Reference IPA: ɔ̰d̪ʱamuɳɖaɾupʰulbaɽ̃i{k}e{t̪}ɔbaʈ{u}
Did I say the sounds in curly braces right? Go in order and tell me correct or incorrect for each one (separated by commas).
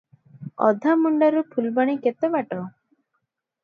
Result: correct, correct, incorrect